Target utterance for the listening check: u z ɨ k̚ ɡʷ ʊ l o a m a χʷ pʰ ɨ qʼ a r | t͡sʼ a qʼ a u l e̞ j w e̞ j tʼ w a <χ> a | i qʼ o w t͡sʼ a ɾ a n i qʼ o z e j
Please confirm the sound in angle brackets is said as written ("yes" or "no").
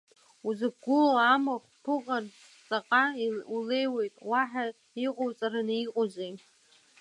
no